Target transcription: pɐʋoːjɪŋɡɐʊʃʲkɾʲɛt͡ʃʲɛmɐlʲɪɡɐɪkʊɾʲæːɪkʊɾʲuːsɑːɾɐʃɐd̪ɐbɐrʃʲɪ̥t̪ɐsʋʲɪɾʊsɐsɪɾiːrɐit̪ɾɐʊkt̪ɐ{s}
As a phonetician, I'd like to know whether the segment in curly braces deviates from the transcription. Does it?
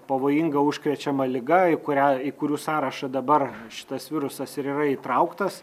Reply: no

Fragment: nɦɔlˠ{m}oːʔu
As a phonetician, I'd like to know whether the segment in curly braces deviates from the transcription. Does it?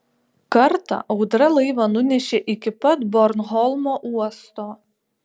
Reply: no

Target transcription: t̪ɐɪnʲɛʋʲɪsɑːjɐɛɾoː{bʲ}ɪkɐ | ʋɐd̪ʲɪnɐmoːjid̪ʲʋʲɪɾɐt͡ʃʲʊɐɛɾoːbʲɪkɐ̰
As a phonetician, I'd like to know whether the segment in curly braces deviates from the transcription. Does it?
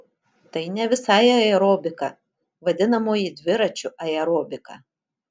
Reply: no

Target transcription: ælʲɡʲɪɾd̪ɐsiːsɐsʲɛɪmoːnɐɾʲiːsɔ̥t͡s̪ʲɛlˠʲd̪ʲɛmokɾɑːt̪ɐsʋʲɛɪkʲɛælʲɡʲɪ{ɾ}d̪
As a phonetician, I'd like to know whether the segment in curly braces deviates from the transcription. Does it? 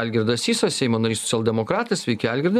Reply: no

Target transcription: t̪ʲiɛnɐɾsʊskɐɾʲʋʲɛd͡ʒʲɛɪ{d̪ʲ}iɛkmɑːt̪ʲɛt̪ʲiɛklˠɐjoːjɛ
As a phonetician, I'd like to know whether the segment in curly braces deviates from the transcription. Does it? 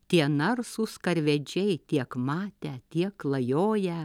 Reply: yes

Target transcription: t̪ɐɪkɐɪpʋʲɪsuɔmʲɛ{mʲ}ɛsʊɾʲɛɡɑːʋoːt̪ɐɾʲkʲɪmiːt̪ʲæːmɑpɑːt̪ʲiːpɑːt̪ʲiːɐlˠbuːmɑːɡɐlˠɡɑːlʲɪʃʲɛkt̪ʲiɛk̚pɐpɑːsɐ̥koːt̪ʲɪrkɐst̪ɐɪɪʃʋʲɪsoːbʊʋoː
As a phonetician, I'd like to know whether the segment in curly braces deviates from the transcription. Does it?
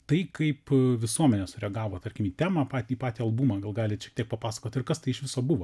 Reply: yes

